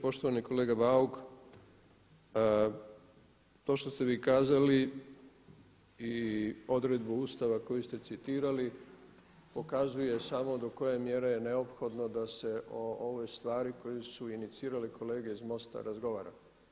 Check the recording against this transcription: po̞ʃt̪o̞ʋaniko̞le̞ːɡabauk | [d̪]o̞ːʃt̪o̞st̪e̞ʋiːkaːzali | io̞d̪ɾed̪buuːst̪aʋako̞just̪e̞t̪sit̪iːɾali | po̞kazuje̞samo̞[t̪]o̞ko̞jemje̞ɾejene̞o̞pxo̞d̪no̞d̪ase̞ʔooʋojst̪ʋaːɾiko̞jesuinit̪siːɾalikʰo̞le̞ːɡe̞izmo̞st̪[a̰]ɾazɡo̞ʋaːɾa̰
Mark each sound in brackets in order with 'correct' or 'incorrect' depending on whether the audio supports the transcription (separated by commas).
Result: incorrect, incorrect, correct